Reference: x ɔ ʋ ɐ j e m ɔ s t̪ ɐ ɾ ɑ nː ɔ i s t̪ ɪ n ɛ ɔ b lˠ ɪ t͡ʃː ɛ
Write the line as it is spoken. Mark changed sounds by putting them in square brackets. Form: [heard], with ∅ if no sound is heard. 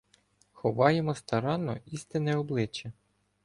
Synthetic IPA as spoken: x ɔ ʋ [ɑ] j e m ɔ s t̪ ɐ ɾ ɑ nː ɔ i s t̪ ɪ n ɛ ɔ b lˠ ɪ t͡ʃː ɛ